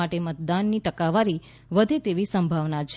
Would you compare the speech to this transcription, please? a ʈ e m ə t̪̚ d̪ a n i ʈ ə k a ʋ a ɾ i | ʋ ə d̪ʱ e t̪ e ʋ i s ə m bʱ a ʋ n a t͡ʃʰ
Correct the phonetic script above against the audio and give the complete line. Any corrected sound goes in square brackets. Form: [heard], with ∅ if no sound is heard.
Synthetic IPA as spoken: a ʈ e m ə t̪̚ d̪ a [nː] i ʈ ə k a ʋ a ɾ i | ʋ ə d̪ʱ e t̪ e ʋ i s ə m bʱ a ʋ n a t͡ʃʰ